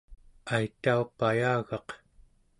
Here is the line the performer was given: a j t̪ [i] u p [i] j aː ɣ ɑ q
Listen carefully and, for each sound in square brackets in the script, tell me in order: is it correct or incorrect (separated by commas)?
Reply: incorrect, incorrect